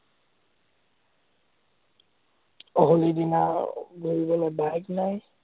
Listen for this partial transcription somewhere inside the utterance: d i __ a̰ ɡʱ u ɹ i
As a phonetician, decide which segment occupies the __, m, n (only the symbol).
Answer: n